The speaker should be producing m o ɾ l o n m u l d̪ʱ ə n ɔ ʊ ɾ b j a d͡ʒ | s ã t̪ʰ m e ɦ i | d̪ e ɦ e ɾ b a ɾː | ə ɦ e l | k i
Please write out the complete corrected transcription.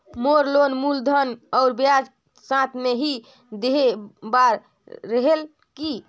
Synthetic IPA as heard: m o ɾ l o n m u l d̪ʱ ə n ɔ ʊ ɾ b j a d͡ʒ | s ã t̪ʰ m e ɦ i | d̪ e ɦ e b a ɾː | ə ɦ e l | k i